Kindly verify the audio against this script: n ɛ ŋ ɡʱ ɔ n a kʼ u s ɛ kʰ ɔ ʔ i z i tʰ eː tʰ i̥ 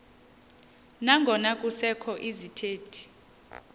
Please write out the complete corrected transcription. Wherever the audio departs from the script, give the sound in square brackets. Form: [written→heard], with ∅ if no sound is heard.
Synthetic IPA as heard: n [ɛ→a] ŋ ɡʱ ɔ n a kʼ u s ɛ kʰ ɔ ʔ i z i tʰ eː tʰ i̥